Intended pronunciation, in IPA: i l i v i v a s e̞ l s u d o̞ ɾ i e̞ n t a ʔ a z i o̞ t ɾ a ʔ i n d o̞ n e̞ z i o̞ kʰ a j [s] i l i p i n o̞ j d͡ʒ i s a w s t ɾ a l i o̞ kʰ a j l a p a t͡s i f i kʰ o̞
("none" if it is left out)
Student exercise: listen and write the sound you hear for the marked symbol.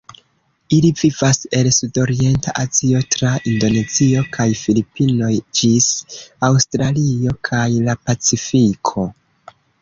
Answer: f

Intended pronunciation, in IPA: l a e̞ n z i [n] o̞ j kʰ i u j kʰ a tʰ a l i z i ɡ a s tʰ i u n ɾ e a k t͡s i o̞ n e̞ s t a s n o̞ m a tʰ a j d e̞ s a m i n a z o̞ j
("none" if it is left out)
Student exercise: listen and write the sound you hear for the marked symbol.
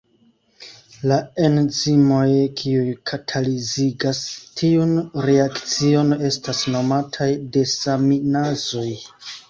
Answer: m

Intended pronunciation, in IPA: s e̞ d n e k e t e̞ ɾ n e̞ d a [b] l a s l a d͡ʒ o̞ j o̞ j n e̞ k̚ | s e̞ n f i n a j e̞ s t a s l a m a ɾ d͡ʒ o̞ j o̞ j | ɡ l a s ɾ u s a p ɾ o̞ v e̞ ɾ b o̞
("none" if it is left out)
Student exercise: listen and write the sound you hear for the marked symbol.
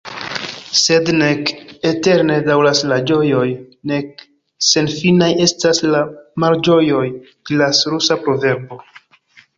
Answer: w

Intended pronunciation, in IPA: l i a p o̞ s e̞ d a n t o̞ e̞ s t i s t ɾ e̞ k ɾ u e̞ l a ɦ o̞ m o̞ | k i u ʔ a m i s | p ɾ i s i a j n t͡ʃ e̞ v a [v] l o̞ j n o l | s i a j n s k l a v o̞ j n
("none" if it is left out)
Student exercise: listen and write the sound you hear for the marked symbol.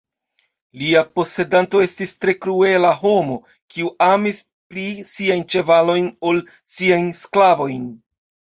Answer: none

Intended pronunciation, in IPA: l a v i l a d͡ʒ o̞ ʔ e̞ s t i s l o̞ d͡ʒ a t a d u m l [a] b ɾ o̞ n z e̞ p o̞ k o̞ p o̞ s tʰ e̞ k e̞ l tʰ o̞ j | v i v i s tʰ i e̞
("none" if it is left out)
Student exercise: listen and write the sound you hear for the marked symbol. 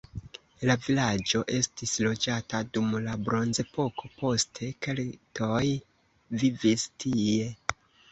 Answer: a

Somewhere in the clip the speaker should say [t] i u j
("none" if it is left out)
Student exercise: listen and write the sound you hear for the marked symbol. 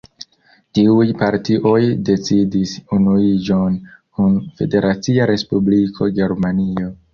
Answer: t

